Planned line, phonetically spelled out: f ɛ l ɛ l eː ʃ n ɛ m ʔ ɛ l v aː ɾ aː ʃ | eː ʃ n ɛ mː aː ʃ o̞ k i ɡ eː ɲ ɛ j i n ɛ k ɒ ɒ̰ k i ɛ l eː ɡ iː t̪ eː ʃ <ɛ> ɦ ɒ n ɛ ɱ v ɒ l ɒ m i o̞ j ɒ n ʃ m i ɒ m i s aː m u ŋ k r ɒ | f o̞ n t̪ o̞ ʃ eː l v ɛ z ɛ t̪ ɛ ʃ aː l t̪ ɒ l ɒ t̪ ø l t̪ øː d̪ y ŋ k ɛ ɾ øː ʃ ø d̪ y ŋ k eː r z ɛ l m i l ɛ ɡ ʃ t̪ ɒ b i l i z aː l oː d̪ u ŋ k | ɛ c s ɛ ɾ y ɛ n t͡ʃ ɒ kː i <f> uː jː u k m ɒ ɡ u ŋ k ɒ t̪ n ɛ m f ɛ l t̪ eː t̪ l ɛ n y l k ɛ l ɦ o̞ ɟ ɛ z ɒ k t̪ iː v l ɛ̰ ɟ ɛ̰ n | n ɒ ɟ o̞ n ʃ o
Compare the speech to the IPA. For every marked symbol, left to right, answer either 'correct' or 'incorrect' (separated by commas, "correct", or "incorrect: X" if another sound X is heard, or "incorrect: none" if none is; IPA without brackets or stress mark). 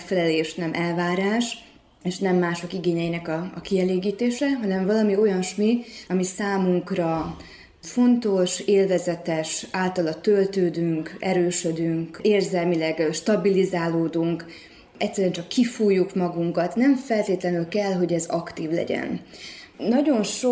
correct, correct